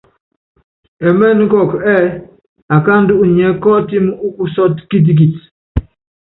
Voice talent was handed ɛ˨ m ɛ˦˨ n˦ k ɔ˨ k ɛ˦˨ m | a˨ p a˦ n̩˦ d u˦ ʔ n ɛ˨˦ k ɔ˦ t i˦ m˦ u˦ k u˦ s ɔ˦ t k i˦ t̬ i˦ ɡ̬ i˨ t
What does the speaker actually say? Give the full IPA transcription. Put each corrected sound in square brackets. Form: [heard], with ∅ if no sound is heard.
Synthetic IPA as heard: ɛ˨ m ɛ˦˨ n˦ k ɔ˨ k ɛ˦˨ [∅] | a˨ [k] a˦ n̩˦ d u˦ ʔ [ɲ] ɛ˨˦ k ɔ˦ t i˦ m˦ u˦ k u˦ s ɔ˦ t k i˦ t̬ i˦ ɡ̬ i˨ t